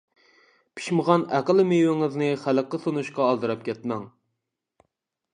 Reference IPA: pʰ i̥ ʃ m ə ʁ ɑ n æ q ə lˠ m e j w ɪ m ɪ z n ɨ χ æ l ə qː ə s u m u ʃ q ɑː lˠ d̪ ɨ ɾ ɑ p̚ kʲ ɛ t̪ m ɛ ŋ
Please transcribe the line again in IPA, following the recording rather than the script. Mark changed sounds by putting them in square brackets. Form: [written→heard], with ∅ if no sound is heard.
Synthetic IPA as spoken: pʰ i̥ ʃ m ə ʁ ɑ n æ q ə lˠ m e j w ɪ [m→ŋ] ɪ z n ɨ χ æ l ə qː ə s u [m→n] u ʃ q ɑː lˠ d̪ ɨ ɾ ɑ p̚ kʲ ɛ t̪ m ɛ ŋ